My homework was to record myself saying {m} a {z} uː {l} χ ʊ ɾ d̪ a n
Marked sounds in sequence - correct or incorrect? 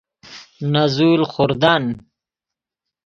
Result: incorrect, correct, correct

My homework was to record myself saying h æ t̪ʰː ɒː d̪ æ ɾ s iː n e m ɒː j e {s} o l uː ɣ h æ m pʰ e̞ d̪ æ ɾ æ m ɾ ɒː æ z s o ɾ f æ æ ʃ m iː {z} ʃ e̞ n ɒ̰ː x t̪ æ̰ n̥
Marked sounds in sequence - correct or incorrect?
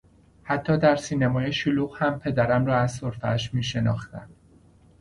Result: incorrect, incorrect

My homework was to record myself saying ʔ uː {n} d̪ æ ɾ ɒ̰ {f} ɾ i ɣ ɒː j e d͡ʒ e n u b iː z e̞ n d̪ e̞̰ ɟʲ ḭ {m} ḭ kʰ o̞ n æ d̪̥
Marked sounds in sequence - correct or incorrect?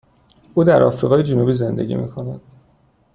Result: incorrect, correct, correct

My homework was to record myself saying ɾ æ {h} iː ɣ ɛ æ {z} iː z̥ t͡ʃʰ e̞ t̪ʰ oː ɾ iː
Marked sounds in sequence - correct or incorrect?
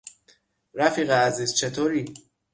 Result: incorrect, correct

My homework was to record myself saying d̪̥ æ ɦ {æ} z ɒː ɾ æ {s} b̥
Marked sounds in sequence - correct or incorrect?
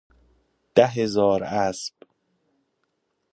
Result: incorrect, correct

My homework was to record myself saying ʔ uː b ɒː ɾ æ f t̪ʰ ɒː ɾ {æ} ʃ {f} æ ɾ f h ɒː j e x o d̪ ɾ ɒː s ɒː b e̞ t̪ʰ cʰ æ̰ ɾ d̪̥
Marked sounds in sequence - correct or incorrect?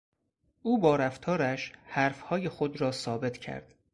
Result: correct, incorrect

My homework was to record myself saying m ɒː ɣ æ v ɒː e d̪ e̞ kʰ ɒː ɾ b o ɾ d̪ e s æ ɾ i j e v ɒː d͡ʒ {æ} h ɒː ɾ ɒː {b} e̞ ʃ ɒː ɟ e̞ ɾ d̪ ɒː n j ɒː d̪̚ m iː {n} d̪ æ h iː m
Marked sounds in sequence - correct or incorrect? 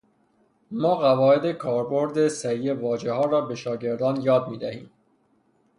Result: incorrect, correct, incorrect

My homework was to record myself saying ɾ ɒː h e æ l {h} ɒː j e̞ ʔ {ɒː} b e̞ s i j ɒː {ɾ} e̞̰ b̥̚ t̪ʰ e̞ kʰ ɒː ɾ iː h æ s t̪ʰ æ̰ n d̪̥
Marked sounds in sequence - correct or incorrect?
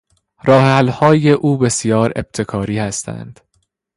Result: correct, incorrect, correct

